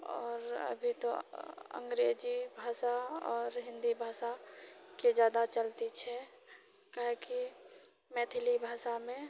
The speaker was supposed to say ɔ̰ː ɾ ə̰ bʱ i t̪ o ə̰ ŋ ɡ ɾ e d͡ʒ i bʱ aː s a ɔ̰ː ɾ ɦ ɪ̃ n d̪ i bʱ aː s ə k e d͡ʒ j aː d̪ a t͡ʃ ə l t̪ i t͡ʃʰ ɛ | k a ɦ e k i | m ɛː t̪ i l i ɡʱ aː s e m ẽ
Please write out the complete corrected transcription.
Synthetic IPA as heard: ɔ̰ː ɾ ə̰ bʱ i t̪ o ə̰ ŋ ɡ ɾ e d͡ʒ i bʱ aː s a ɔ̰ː ɾ ɦ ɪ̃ n d̪ i bʱ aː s a k e d͡ʒ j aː d̪ a t͡ʃ ə l t̪ i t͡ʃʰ ɛ | k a ɦ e k i | m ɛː t̪ʰ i l i bʱ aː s a m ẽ

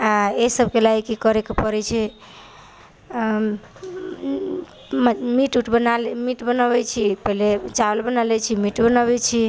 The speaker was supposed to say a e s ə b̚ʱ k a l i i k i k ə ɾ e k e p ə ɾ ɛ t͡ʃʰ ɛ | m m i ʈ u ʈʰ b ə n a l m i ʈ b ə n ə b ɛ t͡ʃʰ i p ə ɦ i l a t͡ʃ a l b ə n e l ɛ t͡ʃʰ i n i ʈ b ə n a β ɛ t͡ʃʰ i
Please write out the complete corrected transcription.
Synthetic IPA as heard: a e s ə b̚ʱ k e l a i k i k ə ɾ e k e p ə ɾ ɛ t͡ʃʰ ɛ | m m i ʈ u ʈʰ b ə n a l m i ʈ b ə n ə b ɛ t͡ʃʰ i p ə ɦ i l e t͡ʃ a l b ə n a l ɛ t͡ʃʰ i m i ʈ b ə n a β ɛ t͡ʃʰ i

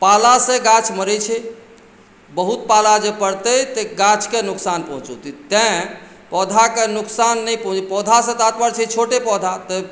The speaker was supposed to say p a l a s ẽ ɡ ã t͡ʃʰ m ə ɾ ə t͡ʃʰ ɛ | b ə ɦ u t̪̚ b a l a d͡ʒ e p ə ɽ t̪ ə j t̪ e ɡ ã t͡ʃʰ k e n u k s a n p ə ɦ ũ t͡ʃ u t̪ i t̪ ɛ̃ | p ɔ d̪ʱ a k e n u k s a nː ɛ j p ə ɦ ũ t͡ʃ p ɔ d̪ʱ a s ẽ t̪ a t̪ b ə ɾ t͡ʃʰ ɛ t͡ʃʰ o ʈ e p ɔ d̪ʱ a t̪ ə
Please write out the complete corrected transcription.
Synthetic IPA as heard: p a l a s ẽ ɡ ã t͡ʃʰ m ə ɾ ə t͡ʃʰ ɛ | b ə ɦ u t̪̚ p a l a d͡ʒ e p ə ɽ t̪ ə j t̪ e ɡ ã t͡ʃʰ k e n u k s a n p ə ɦ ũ t͡ʃ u t̪ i t̪ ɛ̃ | p ɔ d̪ʱ a k e n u k s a nː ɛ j p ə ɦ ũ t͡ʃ p ɔ d̪ʱ a s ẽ t̪ a t̪ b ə ɾ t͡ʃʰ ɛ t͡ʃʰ o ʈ e p ɔ d̪ʱ a t̪ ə

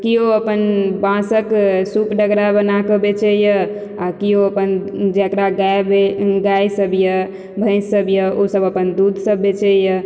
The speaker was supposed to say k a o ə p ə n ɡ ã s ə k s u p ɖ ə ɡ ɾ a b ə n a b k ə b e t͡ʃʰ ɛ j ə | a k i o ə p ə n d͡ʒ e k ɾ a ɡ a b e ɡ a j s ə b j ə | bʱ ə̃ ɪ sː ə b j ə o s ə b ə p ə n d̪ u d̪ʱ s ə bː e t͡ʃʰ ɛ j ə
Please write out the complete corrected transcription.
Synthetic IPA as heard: k i o ə p ə n b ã s ə k s u p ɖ ə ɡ ɾ a b ə n a k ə b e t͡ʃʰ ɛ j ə | a k i o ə p ə n d͡ʒ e k ɾ a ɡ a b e ɡ a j s ə b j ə | bʱ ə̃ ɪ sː ə b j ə o s ə b ə p ə n d̪ u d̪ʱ s ə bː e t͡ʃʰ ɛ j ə

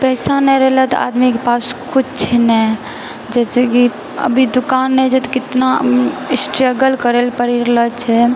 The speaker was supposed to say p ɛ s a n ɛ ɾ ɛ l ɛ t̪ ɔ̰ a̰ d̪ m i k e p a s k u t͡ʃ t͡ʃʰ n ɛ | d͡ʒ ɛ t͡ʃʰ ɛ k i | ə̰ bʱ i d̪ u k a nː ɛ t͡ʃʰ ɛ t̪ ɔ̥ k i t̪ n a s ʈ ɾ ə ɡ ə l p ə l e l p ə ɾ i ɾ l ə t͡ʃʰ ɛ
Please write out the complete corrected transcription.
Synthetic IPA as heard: p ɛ s a n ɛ ɾ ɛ l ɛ t̪ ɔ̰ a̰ d̪ m i k e p a s k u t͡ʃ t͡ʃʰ n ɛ | d͡ʒ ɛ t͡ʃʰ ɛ k i | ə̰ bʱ i d̪ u k a nː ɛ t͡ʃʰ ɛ t̪ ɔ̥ k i t̪ n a s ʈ ɾ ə ɡ ə l k ə ɾ e l p ə ɾ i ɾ l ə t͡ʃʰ ɛ

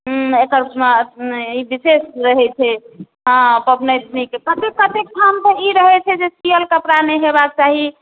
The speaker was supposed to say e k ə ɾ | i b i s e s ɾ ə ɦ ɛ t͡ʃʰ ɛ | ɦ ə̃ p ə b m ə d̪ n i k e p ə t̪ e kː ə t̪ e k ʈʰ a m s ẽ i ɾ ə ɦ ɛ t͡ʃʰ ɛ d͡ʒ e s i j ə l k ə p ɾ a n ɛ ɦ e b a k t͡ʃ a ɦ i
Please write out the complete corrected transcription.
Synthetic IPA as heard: e k ə ɾ | i b i s e s ɾ ə ɦ ɛ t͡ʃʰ ɛ | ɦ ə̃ p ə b n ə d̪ n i k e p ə t̪ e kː ə t̪ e k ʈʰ a m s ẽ i ɾ ə ɦ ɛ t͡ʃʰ ɛ d͡ʒ e s i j ə l k ə p ɾ a n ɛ ɦ e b a k t͡ʃ a ɦ i

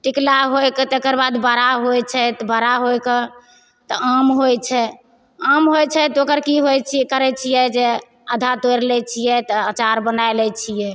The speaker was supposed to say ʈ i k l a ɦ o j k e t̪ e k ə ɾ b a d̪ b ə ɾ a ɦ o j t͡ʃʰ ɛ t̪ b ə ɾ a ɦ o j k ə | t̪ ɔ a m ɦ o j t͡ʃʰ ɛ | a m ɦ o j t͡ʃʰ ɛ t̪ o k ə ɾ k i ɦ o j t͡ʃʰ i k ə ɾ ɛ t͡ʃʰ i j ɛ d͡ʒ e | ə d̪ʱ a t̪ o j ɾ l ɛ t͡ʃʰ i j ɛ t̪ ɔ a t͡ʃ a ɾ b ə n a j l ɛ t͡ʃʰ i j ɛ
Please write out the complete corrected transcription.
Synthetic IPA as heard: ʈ i k l a ɦ o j k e t̪ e k ə ɾ b a d̪ b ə ɾ a ɦ o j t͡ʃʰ ɛ t̪ b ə ɾ a ɦ o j k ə | t̪ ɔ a m ɦ o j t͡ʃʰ ɛ | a m ɦ o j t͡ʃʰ ɛ t̪ o k ə ɾ k i ɦ o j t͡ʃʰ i k ə ɾ ɛ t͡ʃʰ i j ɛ d͡ʒ e | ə d̪ʱ a t̪ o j ɾ l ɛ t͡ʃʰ i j ɛ t̪ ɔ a t͡ʃ a ɾ b ə n a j l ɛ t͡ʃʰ i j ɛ

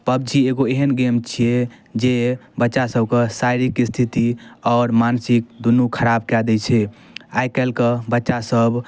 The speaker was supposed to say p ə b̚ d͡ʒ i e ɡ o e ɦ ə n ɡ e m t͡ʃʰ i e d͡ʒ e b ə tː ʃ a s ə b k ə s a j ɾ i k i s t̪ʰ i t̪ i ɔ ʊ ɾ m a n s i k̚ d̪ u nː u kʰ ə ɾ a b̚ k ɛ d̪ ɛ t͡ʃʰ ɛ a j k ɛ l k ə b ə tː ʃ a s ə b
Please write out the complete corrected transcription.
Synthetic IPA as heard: p ə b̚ d͡ʒ i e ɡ o e ɦ ə n ɡ e m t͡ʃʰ i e d͡ʒ e b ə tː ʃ a s ə b k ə s a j ɾ i k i s t̪ʰ i t̪ i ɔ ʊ ɾ m a n s i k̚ d̪ u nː u kʰ ə ɾ a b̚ k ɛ d̪ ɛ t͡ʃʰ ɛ a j k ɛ l k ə b ə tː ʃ a s ə b

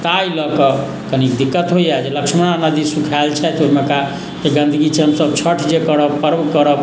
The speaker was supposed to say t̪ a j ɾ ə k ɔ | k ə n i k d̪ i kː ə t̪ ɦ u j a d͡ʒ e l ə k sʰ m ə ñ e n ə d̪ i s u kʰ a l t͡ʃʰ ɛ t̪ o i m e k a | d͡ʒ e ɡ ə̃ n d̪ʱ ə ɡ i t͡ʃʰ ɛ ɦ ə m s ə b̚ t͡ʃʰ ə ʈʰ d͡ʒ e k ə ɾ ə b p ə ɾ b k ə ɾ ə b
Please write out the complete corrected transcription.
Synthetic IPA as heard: t̪ a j l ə k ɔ | k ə n i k d̪ i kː ə t̪ ɦ o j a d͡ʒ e l ə k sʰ m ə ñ a n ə d̪ i s u kʰ a l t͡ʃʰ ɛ t̪ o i m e k a | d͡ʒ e ɡ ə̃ n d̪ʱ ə ɡ i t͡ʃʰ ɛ ɦ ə m s ə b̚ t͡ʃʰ ə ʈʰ d͡ʒ e k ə ɾ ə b p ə ɾ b k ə ɾ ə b

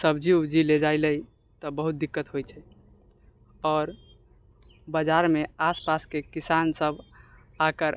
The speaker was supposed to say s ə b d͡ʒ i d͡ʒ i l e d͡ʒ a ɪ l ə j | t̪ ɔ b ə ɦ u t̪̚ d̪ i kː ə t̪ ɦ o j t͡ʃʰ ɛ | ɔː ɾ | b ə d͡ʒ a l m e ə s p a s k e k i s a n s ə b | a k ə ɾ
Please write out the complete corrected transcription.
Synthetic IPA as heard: s ə b d͡ʒ i d͡ʒ i l e d͡ʒ a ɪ l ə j | t̪ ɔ b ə ɦ u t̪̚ d̪ i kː ə t̪ ɦ o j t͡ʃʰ ɛ | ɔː ɾ | b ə d͡ʒ a ɾ m e a s p a s k e k i s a n s ə b | a k ə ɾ

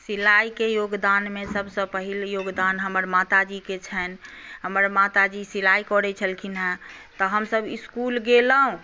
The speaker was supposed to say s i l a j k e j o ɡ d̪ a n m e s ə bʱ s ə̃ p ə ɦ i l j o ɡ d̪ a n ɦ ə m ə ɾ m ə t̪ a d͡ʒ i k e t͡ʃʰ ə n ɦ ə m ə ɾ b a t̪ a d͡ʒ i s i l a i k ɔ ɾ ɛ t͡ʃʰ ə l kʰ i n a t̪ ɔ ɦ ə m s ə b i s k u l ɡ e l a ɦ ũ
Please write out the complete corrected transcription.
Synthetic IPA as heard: s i l a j k e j o ɡ d̪ a n m e s ə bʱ s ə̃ p ə ɦ i l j o ɡ d̪ a n ɦ ə m ə ɾ m a t̪ a d͡ʒ i k e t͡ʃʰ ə n ɦ ə m ə ɾ m a t̪ a d͡ʒ i s i l a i k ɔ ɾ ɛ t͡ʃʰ ə l kʰ i n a t̪ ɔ ɦ ə m s ə b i s k u l ɡ e l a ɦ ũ

